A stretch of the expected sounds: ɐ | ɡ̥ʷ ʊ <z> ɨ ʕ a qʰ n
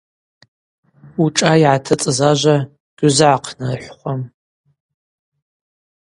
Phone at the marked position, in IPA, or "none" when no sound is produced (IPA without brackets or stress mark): z